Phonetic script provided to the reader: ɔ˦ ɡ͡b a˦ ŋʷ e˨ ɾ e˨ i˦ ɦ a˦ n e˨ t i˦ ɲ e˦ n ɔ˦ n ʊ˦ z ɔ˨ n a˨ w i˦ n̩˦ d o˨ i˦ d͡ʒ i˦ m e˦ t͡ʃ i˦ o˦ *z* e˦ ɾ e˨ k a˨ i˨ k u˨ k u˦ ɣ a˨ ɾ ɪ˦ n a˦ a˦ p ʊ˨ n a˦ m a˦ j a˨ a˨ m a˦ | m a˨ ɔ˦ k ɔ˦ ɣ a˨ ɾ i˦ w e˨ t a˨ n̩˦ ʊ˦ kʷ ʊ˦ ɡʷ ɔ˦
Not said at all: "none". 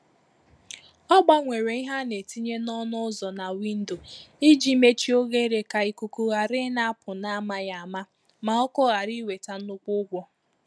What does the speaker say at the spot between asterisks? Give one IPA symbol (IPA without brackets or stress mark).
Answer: ɣ